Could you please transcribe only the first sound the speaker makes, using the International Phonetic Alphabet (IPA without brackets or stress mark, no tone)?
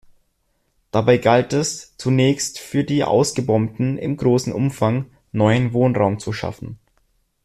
d̥